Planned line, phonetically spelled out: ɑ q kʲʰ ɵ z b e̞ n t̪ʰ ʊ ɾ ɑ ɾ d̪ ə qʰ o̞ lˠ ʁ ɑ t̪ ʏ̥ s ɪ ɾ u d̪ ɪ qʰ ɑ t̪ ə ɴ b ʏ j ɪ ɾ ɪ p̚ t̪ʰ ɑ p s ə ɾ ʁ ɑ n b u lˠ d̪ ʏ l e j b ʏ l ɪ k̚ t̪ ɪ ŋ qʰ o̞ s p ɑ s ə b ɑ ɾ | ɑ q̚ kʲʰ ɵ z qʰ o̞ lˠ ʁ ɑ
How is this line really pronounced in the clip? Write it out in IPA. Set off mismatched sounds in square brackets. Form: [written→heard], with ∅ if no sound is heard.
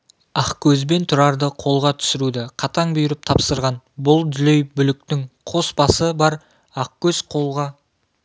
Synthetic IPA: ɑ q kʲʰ ɵ z b e̞ n t̪ʰ ʊ ɾ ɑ ɾ d̪ ə qʰ o̞ lˠ ʁ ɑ [t̪→t̪ʰ] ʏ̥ s ɪ ɾ u d̪ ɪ qʰ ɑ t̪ [ə→ɑ] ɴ b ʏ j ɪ ɾ ɪ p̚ t̪ʰ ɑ p s ə ɾ ʁ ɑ n b [u→ʊ] lˠ d̪ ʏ l e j b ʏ l ɪ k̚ t̪ ɪ ŋ qʰ o̞ s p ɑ s ə b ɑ ɾ | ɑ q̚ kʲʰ ɵ z qʰ o̞ lˠ ʁ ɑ